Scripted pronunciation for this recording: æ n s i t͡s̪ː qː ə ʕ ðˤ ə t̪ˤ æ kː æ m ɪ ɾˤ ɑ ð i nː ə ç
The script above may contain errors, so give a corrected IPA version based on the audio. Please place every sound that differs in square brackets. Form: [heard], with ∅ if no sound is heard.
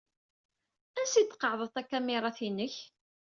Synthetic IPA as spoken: æ n s i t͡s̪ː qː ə ʕ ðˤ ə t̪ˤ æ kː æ m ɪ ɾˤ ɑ [θ] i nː ə ç